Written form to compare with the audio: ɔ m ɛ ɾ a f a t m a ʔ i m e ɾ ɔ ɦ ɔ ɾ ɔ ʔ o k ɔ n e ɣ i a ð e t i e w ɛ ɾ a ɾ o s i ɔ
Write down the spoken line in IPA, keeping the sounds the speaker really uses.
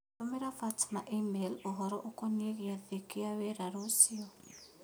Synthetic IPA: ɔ m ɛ ɾ a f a t m a ʔ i m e l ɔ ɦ ɔ ɾ ɔ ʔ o k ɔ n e ɣ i a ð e k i a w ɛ ɾ a ɾ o s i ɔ